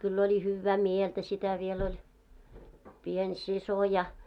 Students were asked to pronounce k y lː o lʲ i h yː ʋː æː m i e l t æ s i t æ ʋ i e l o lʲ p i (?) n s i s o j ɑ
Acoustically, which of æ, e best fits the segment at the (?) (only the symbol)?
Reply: e